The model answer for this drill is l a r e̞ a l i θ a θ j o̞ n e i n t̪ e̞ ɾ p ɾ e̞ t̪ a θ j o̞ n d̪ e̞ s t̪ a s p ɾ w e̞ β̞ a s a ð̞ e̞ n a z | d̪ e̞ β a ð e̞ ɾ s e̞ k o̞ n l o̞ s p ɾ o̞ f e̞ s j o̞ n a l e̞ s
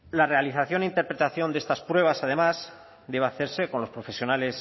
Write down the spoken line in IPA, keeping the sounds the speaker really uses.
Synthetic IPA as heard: l a r e̞ a l i θ a θ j o̞ n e i n t̪ e̞ ɾ p ɾ e̞ t̪ a θ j o̞ n d̪ e̞ s t̪ a s p ɾ w e̞ β̞ a s a ð̞ e̞ m a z | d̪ e̞ β a θ e̞ ɾ s e̞ k o̞ n l o̞ s p ɾ o̞ f e̞ s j o̞ n a l e̞ s

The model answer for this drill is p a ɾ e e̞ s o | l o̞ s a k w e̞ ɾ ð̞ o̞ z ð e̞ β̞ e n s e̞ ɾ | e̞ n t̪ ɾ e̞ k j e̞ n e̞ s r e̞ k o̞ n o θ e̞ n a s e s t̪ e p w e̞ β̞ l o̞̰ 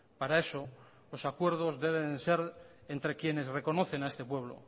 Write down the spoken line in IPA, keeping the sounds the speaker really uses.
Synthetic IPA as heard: p a ɾ a e̞ s o | l o̞ s a k w e̞ ɾ ð̞ o̞ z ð e̞ β̞ e n s e̞ ɾ | e̞ n t̪ ɾ e̞ k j e̞ n e̞ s r e̞ k o̞ n o θ e̞ n a e s t̪ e p w e̞ β̞ l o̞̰

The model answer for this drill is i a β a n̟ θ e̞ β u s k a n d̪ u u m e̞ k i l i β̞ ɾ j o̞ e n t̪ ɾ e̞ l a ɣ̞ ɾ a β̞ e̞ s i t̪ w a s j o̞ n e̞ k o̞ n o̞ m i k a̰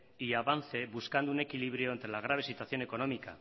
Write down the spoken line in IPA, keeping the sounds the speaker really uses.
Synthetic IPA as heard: i a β a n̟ θ e̞ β u s k a n d̪ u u n e̞ k i l i β̞ ɾ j o̞ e n t̪ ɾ e̞ l a ɣ̞ ɾ a β̞ e̞ s i t̪ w a θ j o̞ n e̞ k o̞ n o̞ m i k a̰

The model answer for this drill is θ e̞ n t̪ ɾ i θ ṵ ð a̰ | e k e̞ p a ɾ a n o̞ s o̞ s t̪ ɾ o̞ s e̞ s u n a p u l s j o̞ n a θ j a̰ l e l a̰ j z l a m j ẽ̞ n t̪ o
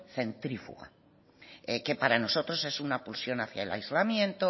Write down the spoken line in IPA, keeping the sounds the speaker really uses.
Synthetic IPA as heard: θ e̞ n t̪ ɾ i f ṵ ɣ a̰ | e k e̞ p a ɾ a n o̞ s o̞ t̪ ɾ o̞ s e̞ s u n a p u l s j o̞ n a θ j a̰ e l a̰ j z l a m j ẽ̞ n t̪ o

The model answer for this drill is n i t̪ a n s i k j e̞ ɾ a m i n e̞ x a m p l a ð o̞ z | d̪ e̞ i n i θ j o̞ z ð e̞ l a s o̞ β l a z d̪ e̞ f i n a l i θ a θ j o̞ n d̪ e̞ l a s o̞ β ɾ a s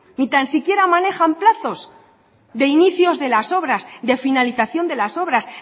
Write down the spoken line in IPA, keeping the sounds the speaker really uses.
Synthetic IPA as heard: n i t̪ a n s i k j e̞ ɾ a m a n e̞ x a m p l a θ o̞ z | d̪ e̞ i n i θ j o̞ z ð e̞ l a s o̞ β ɾ a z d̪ e̞ f i n a l i θ a θ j o̞ n d̪ e̞ l a s o̞ β ɾ a s

